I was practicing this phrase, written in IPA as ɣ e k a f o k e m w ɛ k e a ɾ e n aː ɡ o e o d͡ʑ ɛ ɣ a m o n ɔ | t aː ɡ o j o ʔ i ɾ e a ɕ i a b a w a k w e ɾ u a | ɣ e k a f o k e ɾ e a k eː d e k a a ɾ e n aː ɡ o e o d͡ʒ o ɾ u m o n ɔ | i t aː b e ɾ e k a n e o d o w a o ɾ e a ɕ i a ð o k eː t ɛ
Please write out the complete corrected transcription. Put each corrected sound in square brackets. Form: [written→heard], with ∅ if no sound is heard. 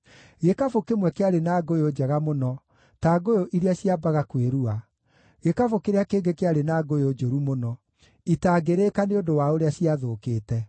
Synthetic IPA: ɣ e k a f o k e m w ɛ k e a ɾ e n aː ɡ o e o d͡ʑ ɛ ɣ a m o n ɔ | t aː ɡ o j o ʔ i ɾ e a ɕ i a b a [w→ɣ] a k w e ɾ u a | ɣ e k a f o k e ɾ e a k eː [d→ɡ] e k [a→e] a ɾ e n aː ɡ o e o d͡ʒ o ɾ u m o n ɔ | i t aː [b→ɡ] e ɾ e k a n e o d o w a o ɾ e a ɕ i a ð o k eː t ɛ